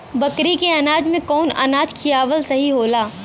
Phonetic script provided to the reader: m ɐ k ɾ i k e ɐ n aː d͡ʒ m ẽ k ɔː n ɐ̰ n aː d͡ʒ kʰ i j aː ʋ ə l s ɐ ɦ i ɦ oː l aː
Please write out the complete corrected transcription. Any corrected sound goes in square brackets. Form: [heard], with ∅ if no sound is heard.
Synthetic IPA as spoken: [b] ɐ k ɾ i k e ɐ n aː d͡ʒ m ẽ k ɔː n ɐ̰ n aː d͡ʒ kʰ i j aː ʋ ə l s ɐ ɦ i ɦ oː l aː